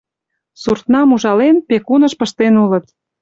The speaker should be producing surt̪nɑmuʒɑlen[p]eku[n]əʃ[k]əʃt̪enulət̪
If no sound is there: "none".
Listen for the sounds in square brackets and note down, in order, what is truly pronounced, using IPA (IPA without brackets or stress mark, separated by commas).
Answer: p, n, p